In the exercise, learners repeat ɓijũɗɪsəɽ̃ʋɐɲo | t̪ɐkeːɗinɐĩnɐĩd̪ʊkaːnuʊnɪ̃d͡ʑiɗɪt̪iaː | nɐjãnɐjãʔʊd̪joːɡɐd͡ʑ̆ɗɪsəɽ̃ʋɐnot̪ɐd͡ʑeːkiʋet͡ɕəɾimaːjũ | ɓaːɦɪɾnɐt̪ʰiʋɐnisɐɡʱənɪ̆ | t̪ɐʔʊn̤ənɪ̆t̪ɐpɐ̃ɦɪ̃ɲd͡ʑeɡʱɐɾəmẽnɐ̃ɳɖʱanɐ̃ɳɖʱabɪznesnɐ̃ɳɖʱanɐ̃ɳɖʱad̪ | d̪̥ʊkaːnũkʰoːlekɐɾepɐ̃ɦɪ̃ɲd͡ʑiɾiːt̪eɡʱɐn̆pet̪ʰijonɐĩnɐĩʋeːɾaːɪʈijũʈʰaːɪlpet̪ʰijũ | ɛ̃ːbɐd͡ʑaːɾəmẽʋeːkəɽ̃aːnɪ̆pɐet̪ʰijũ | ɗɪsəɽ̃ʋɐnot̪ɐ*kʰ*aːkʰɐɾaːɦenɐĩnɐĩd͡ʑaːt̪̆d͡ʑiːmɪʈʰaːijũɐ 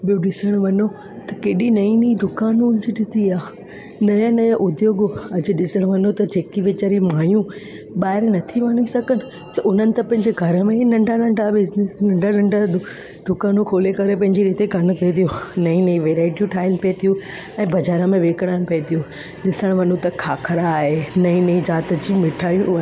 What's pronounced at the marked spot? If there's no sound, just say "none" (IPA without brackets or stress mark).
kʰ